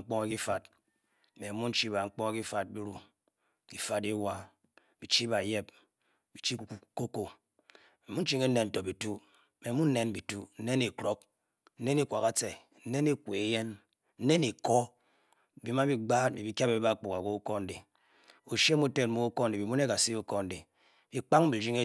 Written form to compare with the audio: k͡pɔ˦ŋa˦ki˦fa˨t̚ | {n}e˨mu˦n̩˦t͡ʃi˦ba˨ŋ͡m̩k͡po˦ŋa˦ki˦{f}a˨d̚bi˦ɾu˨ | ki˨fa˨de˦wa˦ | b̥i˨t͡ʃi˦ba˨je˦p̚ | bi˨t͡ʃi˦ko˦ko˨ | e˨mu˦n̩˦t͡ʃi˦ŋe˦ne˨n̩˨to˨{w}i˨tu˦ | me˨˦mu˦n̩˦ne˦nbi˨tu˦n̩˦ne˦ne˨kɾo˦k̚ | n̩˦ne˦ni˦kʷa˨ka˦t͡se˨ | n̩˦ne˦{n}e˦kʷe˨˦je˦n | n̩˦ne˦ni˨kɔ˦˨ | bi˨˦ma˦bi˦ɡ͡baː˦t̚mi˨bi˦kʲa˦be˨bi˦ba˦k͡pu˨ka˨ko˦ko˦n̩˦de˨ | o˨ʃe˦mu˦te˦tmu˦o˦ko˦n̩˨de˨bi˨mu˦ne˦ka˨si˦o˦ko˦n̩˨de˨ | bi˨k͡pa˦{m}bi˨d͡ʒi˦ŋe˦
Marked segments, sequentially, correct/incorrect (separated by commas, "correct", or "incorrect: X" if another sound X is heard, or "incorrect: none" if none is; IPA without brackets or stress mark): incorrect: m, correct, incorrect: b, correct, incorrect: ŋ